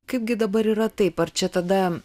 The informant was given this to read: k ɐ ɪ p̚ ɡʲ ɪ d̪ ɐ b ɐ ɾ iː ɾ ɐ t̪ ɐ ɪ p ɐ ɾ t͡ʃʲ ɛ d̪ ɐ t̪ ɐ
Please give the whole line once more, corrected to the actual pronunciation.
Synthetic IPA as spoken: k ɐ ɪ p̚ ɡʲ ɪ d̪ ɐ b ɐ ɾ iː ɾ ɐ t̪ ɐ ɪ p ɐ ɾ t͡ʃʲ ɛ t̪ ɐ d̪ ɐ